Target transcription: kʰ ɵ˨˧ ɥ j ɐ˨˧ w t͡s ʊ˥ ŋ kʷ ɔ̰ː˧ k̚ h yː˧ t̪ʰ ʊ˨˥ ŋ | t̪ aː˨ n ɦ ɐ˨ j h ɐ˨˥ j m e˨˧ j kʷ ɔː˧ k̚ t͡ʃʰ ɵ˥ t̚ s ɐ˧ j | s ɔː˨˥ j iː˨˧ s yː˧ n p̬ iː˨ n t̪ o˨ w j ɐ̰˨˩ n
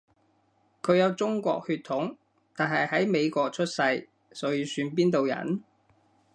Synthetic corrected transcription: kʰ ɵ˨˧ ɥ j ɐ˨˧ w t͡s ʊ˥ ŋ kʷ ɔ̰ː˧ k̚ h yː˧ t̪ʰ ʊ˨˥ ŋ | t̪ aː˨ n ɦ ɐ˨ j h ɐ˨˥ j m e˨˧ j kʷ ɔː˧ k̚ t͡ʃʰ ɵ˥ t̚ s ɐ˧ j | s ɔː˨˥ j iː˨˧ s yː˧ n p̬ iː˥ n t̪ o˨ w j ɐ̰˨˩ n